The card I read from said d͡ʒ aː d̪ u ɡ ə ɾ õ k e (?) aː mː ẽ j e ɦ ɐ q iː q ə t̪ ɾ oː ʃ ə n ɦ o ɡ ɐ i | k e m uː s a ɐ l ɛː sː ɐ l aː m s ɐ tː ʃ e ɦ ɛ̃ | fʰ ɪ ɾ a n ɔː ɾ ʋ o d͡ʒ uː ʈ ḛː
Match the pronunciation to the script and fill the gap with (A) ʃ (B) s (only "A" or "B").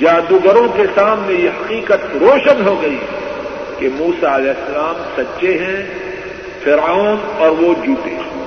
B